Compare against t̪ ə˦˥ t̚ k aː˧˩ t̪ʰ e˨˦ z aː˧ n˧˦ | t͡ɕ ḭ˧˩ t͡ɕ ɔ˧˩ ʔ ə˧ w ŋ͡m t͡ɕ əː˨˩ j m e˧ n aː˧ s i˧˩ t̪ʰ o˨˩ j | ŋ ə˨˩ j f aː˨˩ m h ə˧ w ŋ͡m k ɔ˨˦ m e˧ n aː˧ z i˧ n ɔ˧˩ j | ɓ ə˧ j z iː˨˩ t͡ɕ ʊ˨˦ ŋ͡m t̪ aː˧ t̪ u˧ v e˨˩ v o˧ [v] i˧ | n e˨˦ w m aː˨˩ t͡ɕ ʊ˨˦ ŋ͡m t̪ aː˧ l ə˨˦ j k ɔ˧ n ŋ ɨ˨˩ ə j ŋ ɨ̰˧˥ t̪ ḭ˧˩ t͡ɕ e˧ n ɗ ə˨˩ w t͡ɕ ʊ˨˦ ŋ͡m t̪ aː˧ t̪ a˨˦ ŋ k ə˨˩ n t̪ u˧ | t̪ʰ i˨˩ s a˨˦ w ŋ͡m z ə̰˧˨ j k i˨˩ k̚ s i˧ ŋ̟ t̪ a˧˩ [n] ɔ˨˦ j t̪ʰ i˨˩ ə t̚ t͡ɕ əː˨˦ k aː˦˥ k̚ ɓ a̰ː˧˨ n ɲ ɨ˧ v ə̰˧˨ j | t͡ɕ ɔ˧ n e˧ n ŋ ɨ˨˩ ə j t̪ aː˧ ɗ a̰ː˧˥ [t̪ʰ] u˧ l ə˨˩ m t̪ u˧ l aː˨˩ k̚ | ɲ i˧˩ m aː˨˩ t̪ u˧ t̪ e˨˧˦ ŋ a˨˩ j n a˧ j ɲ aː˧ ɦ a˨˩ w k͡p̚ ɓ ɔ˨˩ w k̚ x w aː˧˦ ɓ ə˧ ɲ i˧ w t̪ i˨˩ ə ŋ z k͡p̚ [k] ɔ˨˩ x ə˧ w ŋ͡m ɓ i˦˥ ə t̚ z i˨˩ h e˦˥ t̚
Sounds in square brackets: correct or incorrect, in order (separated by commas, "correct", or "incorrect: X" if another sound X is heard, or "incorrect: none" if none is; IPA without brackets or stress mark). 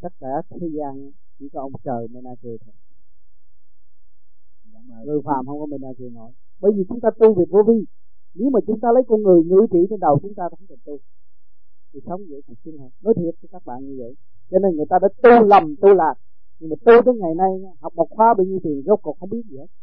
correct, correct, incorrect: t̪, correct